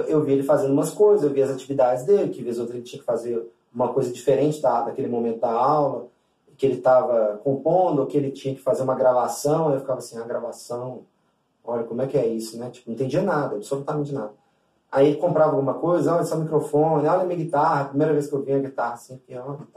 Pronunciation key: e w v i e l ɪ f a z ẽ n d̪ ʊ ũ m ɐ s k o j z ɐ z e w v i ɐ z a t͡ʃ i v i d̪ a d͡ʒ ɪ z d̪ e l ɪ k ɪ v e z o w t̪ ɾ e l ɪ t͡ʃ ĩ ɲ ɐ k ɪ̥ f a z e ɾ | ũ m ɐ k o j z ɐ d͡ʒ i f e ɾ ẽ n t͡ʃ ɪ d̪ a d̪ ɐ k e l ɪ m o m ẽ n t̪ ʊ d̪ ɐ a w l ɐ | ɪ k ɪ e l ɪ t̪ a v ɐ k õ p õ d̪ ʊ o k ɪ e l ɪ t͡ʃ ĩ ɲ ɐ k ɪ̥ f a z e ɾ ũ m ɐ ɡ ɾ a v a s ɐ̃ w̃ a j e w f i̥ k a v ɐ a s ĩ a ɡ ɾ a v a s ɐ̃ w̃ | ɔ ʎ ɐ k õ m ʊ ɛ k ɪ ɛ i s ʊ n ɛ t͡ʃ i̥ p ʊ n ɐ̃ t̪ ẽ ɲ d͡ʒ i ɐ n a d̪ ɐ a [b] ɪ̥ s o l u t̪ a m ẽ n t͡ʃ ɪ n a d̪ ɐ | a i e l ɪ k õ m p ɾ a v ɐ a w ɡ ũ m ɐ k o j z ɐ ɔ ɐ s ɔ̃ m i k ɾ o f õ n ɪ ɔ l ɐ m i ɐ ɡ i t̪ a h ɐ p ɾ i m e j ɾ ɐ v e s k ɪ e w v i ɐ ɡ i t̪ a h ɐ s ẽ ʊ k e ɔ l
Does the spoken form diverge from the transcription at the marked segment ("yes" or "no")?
no